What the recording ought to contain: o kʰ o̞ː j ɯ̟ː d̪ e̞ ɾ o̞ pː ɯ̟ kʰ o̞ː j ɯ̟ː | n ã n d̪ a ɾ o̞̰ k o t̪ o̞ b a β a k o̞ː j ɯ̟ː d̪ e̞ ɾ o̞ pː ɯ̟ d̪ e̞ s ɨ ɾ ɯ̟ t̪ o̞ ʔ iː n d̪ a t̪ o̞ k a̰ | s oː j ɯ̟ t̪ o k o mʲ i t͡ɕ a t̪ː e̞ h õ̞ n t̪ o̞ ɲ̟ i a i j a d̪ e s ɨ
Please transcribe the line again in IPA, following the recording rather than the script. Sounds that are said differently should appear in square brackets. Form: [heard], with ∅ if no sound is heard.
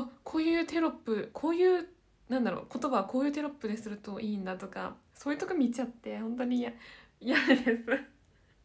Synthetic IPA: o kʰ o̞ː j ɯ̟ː [t̪] e̞ ɾ o̞ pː ɯ̟ kʰ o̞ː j ɯ̟ː | n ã n d̪ a ɾ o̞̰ k o t̪ o̞ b a β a k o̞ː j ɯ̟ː [t̪] e̞ ɾ o̞ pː ɯ̟ d̪ e̞ s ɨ ɾ ɯ̟ t̪ o̞ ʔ iː n d̪ a t̪ o̞ k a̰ | s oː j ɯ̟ t̪ o k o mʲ i t͡ɕ a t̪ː e̞ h õ̞ n t̪ o̞ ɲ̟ i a i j a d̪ e s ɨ